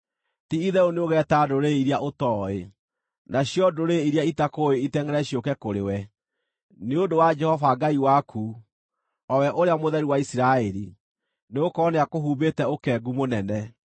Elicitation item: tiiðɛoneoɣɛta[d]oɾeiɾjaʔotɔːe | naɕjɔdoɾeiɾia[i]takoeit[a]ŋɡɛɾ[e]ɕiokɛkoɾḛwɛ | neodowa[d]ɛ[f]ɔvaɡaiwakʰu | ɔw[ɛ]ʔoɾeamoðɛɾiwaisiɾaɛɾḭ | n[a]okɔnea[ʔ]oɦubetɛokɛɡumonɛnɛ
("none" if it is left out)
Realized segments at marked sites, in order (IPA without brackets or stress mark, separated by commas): d, i, ɛ, ɛ, d͡ʒ, h, ɛ, e, k